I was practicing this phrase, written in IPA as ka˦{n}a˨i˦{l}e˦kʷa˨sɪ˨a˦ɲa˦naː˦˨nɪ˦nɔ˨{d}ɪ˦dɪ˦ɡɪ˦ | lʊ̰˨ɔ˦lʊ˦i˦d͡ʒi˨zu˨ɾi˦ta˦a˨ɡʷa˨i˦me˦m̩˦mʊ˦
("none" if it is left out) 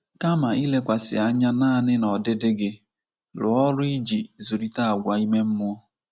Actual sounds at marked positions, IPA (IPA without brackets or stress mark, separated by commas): m, l, d